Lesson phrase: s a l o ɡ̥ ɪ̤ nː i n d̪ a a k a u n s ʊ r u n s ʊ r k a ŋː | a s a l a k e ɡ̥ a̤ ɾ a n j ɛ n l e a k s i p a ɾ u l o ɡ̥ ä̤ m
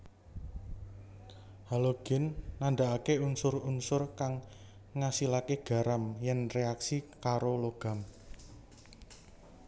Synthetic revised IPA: h a l o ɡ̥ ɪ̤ nː a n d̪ a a k e u n s ʊ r u n s ʊ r k a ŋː | a s i l a k e ɡ̥ a̤ ɾ a m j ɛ n r e a k s i k a ɾ o l o ɡ̥ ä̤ m